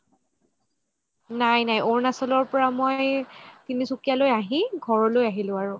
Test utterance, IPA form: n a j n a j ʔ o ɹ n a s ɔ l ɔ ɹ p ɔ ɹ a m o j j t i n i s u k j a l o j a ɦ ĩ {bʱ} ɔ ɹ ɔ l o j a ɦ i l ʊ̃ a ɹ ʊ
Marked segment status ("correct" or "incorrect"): incorrect